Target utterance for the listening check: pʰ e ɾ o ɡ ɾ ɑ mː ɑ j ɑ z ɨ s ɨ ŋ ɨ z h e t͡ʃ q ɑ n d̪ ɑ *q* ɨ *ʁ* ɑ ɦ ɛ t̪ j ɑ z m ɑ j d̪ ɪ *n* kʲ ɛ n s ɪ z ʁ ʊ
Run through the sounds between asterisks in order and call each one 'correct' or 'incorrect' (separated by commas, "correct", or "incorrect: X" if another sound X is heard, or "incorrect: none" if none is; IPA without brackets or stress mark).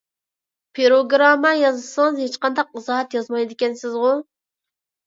correct, incorrect: z, incorrect: none